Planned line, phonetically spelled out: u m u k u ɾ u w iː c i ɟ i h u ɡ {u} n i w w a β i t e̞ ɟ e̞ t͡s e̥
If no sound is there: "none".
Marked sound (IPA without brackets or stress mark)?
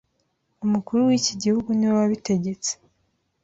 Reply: u